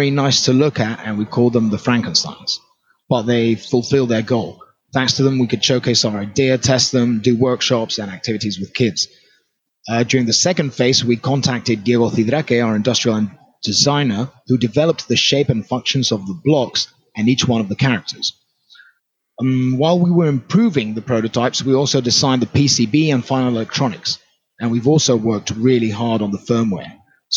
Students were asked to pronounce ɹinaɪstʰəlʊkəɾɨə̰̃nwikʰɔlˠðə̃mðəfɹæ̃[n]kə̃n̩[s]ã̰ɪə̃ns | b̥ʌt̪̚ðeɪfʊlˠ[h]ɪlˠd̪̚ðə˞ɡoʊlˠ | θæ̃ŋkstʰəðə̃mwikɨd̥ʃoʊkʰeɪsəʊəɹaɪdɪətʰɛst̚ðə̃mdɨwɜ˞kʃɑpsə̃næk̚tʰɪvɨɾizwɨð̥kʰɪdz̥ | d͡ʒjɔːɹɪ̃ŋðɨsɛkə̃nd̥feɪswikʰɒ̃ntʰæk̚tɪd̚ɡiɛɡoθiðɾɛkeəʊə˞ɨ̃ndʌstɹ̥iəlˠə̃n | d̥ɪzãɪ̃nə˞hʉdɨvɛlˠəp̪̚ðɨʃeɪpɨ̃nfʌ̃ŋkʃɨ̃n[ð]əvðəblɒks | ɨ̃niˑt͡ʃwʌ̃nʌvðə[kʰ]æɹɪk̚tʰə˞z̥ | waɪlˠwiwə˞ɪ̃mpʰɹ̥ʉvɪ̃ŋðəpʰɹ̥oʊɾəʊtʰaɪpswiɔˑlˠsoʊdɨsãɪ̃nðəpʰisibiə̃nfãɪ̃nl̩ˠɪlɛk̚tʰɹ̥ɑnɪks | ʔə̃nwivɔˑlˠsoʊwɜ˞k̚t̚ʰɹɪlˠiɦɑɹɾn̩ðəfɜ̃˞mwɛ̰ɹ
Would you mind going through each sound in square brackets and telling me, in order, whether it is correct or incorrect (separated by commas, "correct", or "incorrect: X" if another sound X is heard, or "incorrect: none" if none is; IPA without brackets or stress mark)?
incorrect: ŋ, correct, incorrect: f, incorrect: z, correct